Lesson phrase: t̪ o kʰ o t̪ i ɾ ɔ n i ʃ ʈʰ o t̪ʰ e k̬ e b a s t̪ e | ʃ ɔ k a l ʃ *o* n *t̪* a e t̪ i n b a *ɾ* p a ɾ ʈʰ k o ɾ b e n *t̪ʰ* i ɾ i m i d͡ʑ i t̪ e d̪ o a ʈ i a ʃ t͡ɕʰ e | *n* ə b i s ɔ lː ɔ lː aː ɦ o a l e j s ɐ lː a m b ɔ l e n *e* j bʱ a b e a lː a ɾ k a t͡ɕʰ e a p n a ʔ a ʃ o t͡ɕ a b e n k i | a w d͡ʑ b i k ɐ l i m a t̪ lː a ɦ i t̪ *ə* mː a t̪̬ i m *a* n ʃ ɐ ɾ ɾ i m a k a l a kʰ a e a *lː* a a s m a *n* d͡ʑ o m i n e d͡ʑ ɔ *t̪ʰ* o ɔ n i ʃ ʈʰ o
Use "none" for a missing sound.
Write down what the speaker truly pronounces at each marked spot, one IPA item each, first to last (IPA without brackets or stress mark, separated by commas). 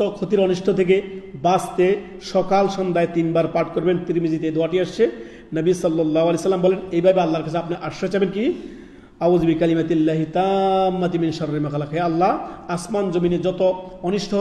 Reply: ɔ, d̪, ɾ, t̪, n, e, a, i, lː, n, t̪